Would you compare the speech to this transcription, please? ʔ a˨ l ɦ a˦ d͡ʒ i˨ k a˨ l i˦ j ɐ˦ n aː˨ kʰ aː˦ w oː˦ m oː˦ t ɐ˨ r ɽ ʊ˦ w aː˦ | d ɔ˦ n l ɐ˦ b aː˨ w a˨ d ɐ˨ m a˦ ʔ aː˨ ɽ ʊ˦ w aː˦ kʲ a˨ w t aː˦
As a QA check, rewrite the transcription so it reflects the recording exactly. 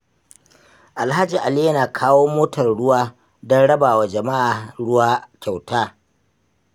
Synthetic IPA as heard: ʔ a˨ l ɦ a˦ d͡ʒ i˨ ʔ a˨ l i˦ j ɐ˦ n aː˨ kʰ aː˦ w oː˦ m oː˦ t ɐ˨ r ɽ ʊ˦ w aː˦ | d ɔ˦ n ɽ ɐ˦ b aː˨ w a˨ d͡ʒ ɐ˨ m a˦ ʔ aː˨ ɽ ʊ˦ w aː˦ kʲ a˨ w t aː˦